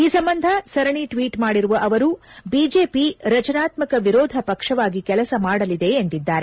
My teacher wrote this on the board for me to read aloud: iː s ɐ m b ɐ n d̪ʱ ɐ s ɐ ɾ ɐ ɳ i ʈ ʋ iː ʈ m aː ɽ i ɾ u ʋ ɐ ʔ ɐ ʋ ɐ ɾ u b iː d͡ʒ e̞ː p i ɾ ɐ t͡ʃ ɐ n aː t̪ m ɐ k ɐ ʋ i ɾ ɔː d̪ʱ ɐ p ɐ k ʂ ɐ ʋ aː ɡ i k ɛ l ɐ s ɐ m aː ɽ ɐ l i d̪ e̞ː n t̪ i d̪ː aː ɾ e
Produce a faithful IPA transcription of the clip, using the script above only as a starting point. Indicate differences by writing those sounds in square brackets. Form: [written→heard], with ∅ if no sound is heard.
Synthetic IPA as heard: iː s ɐ m b ɐ n d̪ʱ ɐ s ɐ ɾ ɐ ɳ i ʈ ʋ iː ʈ m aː ɽ i ɾ u ʋ ɐ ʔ ɐ ʋ ɐ ɾ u b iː d͡ʒ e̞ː p i ɾ ɐ t͡ʃ ɐ n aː t̪ m ɐ k ɐ ʋ i ɾ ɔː d̪ʱ ɐ p ɐ k ʂ ɐ ʋ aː ɡ i k ɛ l ɐ s ɐ m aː ɽ ɐ l i d̪ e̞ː n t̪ i d̪ː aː ɾ e